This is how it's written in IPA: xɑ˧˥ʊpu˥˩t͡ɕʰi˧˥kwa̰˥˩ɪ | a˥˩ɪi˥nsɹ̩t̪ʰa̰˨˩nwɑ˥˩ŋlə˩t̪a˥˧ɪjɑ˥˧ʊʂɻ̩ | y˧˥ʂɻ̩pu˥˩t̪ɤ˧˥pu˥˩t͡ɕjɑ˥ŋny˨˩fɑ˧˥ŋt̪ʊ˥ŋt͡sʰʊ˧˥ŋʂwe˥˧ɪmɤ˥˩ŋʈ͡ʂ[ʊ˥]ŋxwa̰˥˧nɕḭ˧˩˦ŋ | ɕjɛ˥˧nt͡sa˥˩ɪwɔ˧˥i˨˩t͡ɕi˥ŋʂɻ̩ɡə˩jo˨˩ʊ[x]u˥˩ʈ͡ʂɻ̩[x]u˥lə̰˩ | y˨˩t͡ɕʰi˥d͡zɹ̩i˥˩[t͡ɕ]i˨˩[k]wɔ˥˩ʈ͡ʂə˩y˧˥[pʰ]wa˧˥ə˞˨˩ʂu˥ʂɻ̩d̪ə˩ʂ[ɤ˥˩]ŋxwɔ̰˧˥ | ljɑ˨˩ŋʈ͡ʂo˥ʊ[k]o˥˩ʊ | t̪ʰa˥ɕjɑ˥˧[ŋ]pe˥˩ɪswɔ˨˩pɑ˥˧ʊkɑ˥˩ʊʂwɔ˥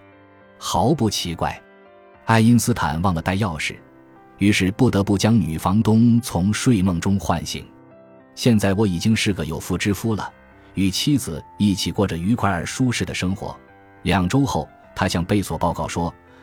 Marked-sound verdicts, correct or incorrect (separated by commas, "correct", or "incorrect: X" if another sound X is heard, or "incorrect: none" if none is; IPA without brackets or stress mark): correct, incorrect: f, incorrect: f, incorrect: t͡ɕʰ, correct, incorrect: kʰ, incorrect: ɤ˥, incorrect: x, correct